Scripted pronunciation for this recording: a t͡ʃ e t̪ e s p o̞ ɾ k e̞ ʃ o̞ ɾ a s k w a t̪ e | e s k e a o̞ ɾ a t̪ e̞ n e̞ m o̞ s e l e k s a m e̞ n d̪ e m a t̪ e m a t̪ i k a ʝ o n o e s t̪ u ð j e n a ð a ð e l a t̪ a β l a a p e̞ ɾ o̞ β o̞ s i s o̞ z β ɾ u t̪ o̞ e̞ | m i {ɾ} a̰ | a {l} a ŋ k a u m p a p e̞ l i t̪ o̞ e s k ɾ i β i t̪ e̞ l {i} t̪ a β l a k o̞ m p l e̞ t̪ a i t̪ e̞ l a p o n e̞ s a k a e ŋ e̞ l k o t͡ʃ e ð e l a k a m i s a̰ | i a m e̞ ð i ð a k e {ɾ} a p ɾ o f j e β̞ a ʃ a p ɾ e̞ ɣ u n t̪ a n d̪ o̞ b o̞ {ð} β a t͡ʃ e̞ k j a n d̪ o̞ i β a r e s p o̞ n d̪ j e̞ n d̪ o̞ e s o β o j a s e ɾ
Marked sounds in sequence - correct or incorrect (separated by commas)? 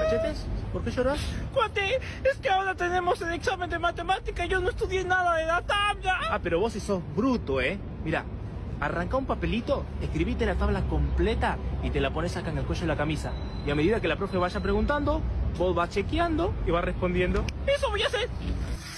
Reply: correct, incorrect, incorrect, incorrect, incorrect